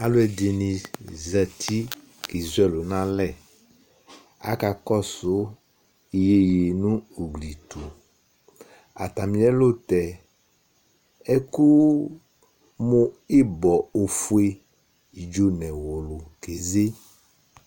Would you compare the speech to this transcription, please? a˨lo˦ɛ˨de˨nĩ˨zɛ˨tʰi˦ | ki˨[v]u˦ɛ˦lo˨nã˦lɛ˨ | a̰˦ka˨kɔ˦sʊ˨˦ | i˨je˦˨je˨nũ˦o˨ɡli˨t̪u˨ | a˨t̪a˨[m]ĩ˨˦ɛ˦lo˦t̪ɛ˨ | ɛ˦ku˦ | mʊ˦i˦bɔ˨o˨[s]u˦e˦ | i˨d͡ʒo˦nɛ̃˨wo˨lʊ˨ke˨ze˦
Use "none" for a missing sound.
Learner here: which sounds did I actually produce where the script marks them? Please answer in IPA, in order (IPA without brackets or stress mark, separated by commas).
z, m, f